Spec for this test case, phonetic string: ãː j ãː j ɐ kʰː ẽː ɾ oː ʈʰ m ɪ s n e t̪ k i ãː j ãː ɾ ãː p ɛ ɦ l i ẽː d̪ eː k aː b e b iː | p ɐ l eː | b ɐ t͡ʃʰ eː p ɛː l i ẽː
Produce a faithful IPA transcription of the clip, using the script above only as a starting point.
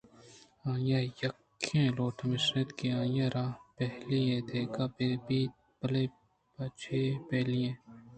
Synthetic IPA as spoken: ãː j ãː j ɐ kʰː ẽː l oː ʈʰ m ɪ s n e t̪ k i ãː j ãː ɾ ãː p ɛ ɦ l i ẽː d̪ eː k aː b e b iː | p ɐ l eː | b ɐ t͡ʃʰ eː p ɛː l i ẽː